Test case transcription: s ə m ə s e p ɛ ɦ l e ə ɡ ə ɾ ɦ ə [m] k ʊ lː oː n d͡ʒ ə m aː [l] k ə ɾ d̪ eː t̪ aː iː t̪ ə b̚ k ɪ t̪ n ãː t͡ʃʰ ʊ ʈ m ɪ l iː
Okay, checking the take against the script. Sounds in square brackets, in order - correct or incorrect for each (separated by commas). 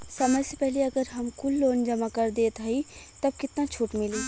correct, incorrect